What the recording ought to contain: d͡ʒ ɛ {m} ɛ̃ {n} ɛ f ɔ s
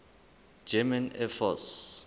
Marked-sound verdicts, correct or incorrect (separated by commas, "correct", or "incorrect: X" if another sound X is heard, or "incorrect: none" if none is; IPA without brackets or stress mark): correct, correct